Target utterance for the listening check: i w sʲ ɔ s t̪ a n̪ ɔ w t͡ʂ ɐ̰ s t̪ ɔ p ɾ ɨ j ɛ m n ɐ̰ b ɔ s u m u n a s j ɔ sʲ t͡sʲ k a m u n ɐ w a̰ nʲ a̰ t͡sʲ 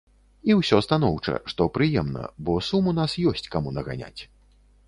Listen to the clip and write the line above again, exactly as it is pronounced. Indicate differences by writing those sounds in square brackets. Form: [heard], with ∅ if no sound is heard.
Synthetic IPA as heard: i w sʲ ɔ s t̪ a n̪ ɔ w t͡ʂ ɐ̰ [ʂ] t̪ ɔ p ɾ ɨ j ɛ m n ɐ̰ b ɔ s u m u n a s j ɔ sʲ t͡sʲ k a m u n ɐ [ɣ] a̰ nʲ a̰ t͡sʲ